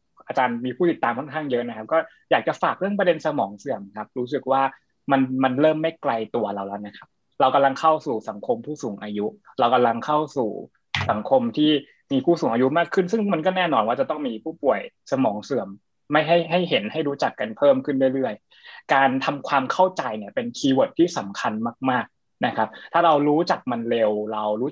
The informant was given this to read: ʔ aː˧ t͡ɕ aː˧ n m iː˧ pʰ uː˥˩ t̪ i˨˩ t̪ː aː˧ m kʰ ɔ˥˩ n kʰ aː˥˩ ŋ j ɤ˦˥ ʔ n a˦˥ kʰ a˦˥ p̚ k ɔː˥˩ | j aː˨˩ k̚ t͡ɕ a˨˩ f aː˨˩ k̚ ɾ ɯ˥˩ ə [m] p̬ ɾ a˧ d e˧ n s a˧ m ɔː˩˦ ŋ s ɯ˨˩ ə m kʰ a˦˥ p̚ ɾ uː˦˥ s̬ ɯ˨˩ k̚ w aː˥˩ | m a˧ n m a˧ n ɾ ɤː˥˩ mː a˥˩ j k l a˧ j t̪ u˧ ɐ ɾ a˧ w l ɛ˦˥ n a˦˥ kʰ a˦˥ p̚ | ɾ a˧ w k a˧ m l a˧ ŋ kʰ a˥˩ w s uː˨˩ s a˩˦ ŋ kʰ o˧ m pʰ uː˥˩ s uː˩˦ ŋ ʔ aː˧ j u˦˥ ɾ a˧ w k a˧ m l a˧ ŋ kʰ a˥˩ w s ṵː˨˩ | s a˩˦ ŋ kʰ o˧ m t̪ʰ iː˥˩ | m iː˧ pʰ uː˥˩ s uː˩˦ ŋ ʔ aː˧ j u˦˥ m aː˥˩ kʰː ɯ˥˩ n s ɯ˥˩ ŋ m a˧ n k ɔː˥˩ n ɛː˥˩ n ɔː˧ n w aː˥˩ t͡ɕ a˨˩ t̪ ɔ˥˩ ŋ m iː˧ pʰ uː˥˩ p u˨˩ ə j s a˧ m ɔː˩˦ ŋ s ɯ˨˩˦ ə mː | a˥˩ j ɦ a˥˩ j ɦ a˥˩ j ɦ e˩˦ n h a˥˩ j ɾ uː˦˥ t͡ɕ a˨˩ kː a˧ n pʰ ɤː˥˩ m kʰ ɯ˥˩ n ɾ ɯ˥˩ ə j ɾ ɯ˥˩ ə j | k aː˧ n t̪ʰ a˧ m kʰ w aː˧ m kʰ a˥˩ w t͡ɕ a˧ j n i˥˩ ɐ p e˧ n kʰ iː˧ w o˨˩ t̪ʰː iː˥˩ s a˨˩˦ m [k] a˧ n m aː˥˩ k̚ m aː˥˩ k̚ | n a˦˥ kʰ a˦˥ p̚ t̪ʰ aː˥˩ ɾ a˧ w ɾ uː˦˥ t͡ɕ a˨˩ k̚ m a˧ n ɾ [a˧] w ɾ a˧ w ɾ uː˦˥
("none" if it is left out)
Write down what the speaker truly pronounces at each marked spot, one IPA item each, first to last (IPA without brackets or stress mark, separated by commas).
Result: ŋ, kʰ, e˧